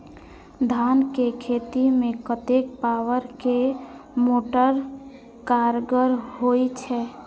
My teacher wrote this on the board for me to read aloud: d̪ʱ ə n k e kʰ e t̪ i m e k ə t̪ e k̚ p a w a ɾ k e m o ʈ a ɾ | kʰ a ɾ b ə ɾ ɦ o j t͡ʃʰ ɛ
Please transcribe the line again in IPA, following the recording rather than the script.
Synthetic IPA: d̪ʱ a n k e kʰ e t̪ i m e k ə t̪ e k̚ p a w ə ɾ k e m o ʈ ə ɾ | k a ɾ ɡ ə ɾ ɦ o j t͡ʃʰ ɛ